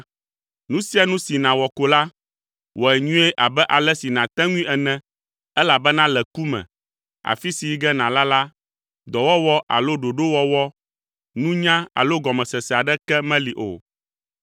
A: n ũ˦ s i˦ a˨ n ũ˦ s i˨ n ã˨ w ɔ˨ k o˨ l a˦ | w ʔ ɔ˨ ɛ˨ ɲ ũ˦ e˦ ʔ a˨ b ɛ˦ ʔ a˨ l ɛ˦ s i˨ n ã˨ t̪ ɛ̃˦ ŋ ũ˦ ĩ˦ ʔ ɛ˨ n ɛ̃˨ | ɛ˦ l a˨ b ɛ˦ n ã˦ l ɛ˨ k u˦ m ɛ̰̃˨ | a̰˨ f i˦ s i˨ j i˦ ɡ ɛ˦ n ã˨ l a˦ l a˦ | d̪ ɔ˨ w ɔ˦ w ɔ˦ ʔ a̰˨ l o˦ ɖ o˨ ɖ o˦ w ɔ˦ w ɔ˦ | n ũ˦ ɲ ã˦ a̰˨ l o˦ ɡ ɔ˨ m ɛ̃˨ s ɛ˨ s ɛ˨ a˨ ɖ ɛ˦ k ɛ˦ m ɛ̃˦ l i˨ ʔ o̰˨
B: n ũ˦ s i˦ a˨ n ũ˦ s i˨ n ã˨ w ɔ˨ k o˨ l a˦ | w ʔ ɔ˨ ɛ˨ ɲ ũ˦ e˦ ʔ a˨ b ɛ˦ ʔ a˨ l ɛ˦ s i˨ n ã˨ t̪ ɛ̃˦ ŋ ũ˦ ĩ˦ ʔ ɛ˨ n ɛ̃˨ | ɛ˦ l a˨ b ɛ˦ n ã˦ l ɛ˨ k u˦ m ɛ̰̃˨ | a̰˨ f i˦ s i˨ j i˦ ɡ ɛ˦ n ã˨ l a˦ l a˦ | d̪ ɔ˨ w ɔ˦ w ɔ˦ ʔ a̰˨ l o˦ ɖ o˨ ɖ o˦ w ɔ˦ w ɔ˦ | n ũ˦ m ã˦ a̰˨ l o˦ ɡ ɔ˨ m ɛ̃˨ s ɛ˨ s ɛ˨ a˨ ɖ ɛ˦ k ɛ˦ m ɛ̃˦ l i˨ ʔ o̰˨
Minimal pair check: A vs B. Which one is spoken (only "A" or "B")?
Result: A